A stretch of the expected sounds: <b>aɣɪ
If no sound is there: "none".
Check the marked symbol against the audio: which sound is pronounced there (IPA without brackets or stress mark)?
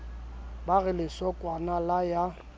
b